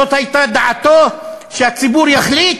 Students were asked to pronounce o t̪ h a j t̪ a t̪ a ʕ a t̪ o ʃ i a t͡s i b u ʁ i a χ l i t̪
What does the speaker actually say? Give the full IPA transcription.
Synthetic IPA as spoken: o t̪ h a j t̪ a d̪ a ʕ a t̪ o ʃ e a t͡s i b u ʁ j a χ l i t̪